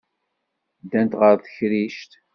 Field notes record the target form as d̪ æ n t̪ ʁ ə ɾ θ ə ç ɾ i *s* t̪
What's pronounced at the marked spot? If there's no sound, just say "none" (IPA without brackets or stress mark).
ʃ